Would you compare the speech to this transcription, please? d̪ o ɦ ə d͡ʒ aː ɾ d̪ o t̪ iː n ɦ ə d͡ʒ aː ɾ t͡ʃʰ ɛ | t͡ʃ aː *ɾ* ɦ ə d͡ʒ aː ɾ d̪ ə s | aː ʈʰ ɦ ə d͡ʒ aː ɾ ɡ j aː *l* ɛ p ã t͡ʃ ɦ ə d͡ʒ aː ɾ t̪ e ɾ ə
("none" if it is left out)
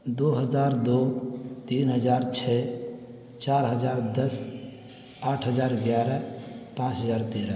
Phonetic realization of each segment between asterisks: ɾ, ɾ

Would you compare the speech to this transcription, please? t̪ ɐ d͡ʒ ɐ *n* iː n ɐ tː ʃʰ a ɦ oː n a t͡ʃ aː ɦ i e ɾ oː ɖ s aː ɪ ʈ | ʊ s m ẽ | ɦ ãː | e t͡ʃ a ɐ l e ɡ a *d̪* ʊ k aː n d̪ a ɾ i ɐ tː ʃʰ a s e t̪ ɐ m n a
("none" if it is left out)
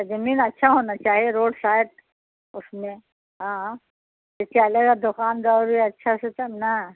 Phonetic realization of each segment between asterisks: m, d̪

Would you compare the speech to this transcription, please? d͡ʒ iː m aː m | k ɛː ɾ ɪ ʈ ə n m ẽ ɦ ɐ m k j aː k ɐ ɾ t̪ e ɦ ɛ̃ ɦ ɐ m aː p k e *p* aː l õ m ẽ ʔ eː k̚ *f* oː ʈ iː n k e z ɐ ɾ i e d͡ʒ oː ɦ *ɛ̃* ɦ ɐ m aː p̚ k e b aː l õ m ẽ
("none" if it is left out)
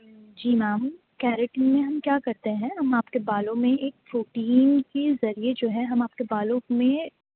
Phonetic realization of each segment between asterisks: b, f, ɛ

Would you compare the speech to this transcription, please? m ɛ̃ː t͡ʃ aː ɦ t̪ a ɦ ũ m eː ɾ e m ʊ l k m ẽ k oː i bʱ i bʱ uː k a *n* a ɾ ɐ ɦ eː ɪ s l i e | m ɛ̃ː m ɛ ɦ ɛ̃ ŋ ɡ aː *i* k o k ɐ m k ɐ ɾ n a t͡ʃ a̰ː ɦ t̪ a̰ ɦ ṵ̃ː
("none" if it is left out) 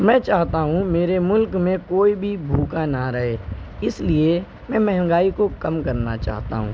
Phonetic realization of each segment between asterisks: n, i

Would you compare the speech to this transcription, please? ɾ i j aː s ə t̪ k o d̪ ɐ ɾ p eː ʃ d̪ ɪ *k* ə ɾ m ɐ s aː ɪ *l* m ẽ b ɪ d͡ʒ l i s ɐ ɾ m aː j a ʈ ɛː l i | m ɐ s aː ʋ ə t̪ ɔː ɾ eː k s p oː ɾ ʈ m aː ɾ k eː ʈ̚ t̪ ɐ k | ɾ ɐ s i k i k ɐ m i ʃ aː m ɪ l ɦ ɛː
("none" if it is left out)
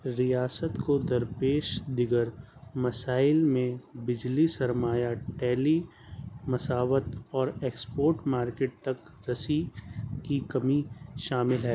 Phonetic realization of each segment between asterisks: ɡ, l

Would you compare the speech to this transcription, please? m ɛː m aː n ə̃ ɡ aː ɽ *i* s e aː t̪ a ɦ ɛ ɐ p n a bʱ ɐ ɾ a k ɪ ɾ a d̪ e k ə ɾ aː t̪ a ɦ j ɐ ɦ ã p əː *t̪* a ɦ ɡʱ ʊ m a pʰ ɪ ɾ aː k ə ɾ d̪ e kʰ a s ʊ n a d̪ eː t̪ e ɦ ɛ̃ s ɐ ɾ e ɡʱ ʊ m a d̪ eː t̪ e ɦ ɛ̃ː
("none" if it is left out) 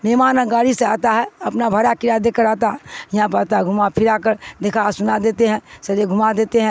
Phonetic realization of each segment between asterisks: i, t̪

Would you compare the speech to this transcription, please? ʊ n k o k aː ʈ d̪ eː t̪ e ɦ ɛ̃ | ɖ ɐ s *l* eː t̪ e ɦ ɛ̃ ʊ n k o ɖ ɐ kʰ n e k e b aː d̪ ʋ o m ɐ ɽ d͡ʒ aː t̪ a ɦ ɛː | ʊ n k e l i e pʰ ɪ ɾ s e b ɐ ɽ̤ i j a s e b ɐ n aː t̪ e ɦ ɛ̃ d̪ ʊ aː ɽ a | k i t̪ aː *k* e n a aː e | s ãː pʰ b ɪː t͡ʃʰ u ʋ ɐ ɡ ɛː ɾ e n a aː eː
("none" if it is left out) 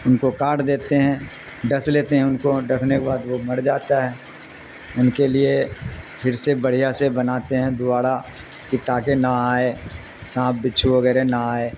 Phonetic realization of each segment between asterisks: l, k

